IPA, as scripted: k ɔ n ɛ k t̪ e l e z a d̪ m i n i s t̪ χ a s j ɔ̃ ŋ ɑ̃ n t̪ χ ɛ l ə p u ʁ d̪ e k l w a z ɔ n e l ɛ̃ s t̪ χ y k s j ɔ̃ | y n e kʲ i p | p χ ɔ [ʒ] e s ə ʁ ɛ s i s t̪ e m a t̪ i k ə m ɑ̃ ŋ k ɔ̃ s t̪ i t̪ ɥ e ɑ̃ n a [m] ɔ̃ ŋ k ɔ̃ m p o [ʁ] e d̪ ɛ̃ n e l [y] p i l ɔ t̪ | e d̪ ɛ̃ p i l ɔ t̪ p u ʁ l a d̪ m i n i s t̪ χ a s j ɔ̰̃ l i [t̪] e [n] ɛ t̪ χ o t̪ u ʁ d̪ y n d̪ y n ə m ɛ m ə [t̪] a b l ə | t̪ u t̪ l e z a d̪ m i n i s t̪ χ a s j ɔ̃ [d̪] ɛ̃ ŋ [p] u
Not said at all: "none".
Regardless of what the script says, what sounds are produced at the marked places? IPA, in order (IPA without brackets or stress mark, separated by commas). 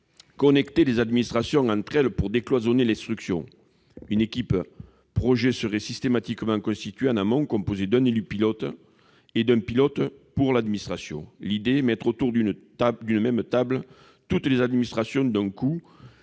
ʒ, m, z, y, d̪, m, t̪, d̪, k